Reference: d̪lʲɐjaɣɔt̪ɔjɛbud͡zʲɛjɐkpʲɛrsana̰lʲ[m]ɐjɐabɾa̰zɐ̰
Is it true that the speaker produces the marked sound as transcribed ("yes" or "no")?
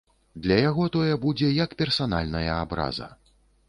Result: no